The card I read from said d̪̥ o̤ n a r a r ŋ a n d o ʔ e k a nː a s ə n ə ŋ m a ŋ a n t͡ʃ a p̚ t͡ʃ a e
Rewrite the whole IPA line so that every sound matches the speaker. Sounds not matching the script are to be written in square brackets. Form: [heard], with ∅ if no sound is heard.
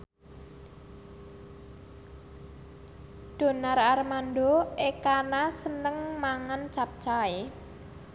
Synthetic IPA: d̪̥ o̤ n a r a r [m] a n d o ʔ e k a [n] a s ə n ə ŋ m a ŋ a n t͡ʃ a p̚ t͡ʃ a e

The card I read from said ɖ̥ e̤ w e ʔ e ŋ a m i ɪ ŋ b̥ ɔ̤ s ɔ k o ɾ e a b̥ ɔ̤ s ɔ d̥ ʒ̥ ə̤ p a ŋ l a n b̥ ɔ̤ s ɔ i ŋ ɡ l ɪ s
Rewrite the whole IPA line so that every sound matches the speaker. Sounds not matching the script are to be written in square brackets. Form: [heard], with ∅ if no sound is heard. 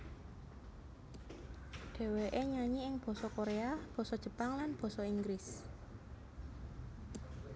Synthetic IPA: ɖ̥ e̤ w e ʔ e [ɲ] a [ɲ] i ɪ ŋ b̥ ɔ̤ s ɔ k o ɾ e a b̥ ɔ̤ s ɔ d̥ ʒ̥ ə̤ p a ŋ l a n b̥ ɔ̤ s ɔ i ŋ ɡ [ɾ] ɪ s

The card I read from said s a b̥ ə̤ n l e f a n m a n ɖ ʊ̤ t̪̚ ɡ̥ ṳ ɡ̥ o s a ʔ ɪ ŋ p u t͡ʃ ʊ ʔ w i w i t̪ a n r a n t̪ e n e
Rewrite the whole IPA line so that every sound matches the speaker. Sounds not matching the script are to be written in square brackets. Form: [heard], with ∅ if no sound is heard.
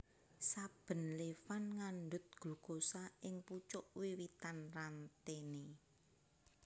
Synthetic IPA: s a b̥ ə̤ n l e f a n [ŋ] a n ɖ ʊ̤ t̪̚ ɡ̥ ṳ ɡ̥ o s a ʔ ɪ ŋ p u t͡ʃ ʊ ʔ w i w i t̪ a n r a n t̪ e n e

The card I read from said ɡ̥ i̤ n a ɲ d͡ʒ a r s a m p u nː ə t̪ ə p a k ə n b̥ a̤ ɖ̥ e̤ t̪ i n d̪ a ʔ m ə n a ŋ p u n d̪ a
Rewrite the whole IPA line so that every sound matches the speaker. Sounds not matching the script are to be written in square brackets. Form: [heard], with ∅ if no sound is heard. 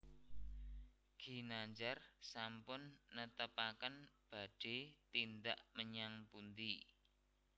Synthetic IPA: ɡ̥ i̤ n a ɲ d͡ʒ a r s a m p [ʊ] nː ə t̪ ə p a k ə n b̥ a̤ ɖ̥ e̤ t̪ i n d̪ a ʔ m ə [ɲ] a ŋ p u n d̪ [i]

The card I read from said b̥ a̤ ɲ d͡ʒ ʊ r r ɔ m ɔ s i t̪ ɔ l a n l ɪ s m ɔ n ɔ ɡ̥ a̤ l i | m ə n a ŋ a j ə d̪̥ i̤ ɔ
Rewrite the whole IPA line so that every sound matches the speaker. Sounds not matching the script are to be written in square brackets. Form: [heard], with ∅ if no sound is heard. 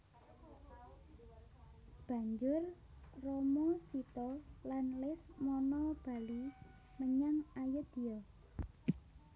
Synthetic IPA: b̥ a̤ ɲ d͡ʒ ʊ r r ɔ m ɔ s i t̪ ɔ l a n l ɪ s m ɔ n ɔ [b̥] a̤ l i | m ə [ɲ] a ŋ a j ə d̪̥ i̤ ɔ

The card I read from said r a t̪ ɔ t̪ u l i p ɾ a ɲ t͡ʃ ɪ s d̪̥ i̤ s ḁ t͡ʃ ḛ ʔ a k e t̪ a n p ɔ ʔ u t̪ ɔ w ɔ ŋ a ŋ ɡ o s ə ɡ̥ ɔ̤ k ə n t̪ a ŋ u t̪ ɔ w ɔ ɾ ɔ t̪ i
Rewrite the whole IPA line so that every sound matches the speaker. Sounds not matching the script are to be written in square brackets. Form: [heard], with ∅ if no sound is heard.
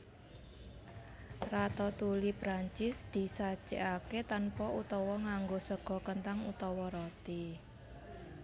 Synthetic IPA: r a t̪ ɔ t̪ u l i p ɾ a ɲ t͡ʃ ɪ s d̪̥ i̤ s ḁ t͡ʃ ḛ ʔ a k e t̪ a n p ɔ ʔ u t̪ ɔ w ɔ ŋ a ŋ ɡ o s ə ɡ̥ ɔ̤ k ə n t̪ a ŋ u t̪ ɔ w ɔ ɾ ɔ t̪ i

